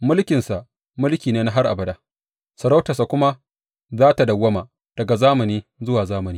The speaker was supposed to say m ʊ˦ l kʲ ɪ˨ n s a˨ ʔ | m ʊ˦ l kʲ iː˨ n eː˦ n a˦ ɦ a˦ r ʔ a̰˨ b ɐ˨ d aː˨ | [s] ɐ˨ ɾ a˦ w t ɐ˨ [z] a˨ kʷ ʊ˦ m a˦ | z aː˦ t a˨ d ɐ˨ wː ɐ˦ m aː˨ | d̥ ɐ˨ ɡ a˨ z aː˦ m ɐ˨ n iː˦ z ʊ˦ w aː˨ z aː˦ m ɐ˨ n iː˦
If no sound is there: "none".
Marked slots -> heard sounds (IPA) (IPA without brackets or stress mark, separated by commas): s, s